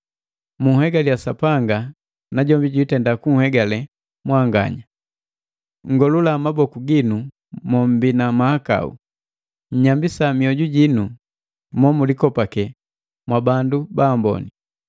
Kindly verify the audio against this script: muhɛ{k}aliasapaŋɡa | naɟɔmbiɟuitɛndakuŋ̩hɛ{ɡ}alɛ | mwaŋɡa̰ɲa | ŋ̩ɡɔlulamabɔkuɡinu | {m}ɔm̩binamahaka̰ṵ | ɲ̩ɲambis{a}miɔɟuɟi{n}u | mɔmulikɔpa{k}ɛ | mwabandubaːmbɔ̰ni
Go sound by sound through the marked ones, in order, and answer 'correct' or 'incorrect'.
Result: incorrect: ɡ, correct, correct, correct, correct, correct

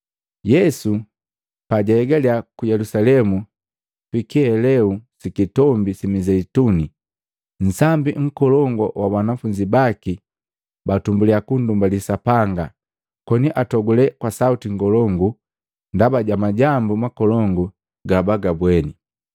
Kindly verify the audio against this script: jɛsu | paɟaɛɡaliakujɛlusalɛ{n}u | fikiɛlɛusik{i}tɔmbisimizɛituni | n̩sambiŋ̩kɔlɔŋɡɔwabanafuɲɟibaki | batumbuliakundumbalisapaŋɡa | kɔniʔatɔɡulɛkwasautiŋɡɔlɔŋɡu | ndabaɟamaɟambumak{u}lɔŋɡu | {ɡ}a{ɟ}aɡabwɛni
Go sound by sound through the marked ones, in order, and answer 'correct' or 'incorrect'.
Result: incorrect: m, correct, incorrect: ɔ, correct, incorrect: b

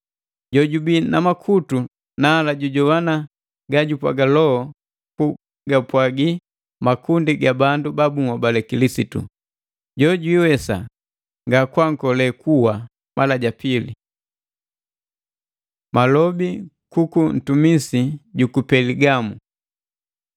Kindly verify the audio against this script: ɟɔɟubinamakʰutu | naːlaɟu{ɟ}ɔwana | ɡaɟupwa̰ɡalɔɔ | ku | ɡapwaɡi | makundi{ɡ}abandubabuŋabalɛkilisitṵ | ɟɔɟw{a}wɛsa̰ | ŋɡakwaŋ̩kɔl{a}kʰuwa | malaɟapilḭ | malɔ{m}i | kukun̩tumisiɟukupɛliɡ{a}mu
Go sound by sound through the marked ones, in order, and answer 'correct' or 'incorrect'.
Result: correct, correct, incorrect: i, incorrect: ɛ, incorrect: b, correct

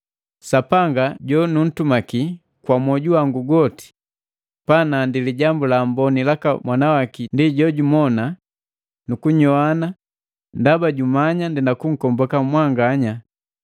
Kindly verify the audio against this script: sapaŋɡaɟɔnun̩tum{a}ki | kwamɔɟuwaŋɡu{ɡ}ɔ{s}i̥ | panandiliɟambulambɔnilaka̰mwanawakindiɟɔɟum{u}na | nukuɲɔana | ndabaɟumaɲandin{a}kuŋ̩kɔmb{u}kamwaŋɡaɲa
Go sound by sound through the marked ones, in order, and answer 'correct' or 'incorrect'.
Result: correct, correct, incorrect: t, incorrect: ɔ, correct, incorrect: ɔ

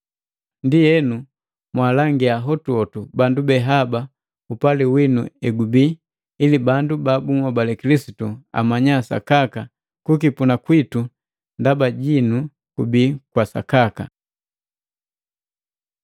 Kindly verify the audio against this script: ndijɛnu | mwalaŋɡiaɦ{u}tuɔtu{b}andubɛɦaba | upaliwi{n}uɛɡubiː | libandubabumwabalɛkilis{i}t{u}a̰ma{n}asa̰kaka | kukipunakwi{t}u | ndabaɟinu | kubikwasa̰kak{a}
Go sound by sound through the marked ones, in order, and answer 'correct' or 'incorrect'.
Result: incorrect: ɔ, correct, correct, correct, correct, incorrect: ɲ, correct, correct

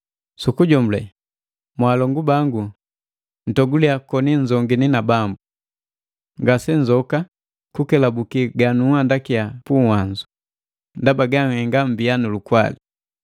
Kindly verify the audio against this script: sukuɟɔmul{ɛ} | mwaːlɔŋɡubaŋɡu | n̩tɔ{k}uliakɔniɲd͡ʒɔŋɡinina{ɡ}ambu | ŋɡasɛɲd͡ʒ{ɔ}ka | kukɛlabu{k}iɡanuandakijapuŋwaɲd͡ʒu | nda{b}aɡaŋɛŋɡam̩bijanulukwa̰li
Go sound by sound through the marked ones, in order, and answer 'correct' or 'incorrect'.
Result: correct, incorrect: ɡ, incorrect: b, correct, correct, correct

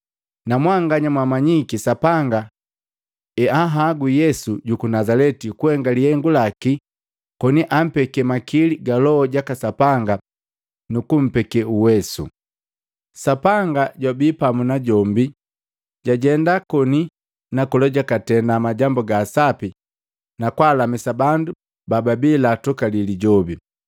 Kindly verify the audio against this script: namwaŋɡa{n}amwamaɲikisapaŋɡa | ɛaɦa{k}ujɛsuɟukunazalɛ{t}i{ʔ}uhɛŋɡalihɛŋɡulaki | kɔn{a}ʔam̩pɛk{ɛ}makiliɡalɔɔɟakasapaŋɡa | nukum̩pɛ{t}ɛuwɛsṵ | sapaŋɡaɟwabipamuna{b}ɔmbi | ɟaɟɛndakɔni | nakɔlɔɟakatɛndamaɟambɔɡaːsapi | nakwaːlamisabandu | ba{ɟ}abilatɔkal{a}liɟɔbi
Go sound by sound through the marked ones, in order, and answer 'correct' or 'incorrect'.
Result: incorrect: ɲ, incorrect: ɡ, correct, incorrect: k, incorrect: i, correct, incorrect: k, incorrect: ɟ, incorrect: b, incorrect: i

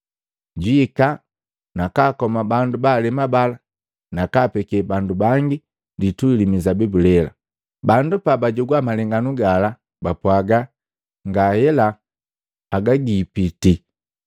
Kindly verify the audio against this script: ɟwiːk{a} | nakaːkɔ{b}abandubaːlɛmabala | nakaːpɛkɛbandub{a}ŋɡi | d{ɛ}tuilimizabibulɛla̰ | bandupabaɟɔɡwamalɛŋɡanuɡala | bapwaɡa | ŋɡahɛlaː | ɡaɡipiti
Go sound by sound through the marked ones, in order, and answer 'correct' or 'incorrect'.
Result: correct, incorrect: m, correct, incorrect: i

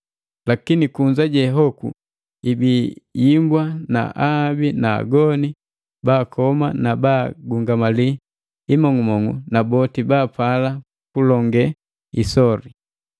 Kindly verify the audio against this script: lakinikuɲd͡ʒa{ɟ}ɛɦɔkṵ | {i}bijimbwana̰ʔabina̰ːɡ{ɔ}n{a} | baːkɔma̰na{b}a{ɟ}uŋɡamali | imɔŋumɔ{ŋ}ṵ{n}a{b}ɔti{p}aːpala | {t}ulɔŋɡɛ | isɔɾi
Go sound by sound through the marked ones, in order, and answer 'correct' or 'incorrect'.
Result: correct, correct, correct, incorrect: i, correct, incorrect: ɡ, correct, correct, correct, incorrect: b, incorrect: k

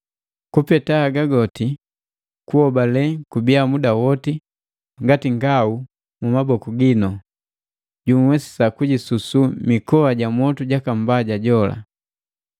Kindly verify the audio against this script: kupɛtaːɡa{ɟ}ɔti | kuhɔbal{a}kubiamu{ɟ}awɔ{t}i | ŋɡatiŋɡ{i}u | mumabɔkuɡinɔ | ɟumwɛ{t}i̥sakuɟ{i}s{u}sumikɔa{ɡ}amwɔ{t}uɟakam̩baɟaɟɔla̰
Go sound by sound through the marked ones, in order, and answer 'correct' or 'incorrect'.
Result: incorrect: ɡ, incorrect: ɛ, incorrect: d, correct, incorrect: a, incorrect: s, correct, correct, incorrect: ɟ, correct

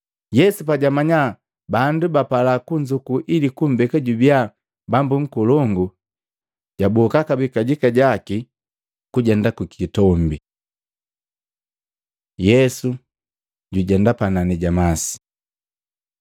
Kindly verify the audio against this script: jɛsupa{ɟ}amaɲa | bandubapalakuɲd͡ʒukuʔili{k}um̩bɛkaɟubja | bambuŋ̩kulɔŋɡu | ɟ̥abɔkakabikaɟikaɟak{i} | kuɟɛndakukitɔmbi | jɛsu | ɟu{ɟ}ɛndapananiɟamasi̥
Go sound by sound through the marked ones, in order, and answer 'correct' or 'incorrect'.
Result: correct, correct, correct, correct

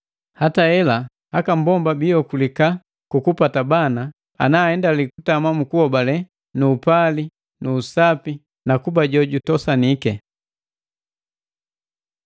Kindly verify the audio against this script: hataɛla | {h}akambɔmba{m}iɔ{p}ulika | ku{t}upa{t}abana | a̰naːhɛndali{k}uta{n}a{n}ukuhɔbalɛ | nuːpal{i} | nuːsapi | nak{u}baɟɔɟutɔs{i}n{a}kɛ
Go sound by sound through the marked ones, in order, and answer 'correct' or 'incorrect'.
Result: correct, incorrect: b, incorrect: k, incorrect: k, correct, correct, incorrect: m, incorrect: m, correct, correct, incorrect: a, incorrect: i

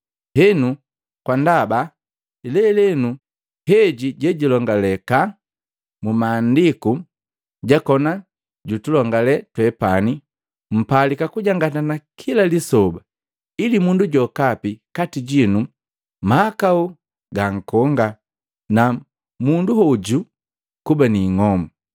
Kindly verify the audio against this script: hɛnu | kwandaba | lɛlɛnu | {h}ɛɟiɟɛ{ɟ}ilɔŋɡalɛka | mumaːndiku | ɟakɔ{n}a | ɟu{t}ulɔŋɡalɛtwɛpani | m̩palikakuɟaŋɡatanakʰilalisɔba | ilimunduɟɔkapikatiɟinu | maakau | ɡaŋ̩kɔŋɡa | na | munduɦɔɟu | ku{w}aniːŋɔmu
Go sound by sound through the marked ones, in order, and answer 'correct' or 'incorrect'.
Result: correct, correct, correct, correct, incorrect: b

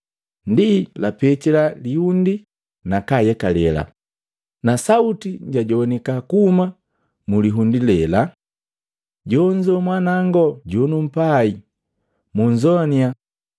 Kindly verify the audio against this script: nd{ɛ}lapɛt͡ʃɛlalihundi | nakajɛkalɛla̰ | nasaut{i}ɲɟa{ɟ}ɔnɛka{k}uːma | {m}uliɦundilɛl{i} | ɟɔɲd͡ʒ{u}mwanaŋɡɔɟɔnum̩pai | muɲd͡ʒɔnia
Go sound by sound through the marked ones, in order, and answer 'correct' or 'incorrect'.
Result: incorrect: i, correct, correct, correct, correct, incorrect: a, incorrect: ɔ

